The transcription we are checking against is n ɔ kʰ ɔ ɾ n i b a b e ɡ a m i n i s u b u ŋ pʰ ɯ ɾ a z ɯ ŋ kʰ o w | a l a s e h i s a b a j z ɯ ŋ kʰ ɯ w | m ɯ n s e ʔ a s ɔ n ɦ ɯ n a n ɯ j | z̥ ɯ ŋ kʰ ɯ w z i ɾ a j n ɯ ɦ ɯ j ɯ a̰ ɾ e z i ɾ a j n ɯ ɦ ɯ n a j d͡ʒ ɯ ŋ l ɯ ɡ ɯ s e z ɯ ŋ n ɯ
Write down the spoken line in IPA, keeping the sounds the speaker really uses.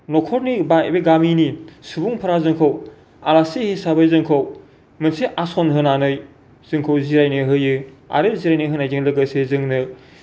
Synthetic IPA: n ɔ kʰ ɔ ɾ n i b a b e ɡ a m i n i s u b u ŋ pʰ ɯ ɾ a z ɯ ŋ kʰ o w | a l a s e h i s a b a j z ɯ ŋ kʰ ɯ w | m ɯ n s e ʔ a s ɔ n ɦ ɯ n a n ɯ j | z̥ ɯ ŋ kʰ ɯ w z i ɾ a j n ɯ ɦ ɯ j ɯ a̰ ɾ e z i ɾ a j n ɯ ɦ ɯ n a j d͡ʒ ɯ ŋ l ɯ ɡ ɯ s e z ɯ ŋ n ɯ